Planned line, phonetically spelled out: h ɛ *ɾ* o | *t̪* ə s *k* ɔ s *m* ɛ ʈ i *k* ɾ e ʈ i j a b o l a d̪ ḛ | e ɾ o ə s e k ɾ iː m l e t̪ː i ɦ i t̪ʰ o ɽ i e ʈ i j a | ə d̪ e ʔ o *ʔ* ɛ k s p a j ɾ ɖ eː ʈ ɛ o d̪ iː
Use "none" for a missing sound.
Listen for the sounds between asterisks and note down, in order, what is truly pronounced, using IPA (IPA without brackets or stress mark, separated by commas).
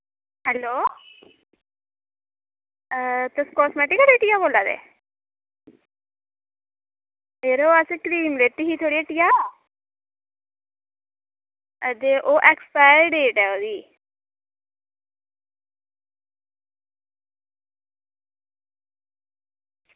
l, t̪, k, m, k, ʔ